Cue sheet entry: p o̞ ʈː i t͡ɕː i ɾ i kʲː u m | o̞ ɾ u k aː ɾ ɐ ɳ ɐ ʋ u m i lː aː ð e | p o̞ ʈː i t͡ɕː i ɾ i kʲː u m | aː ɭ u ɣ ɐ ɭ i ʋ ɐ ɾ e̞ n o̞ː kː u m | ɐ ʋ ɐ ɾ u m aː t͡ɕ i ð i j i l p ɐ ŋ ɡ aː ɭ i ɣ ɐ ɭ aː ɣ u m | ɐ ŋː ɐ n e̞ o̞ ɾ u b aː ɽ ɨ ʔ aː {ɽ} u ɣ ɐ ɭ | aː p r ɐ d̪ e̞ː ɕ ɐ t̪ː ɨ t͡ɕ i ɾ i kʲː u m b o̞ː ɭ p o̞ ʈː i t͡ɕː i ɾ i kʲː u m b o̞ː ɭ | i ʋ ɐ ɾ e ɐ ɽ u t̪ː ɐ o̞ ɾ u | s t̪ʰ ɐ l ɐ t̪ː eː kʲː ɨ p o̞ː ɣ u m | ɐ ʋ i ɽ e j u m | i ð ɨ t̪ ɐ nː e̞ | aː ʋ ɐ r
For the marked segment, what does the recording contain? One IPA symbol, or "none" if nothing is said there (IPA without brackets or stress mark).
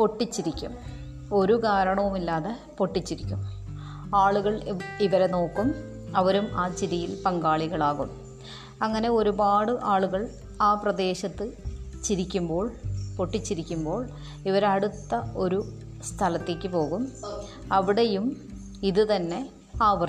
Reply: ɭ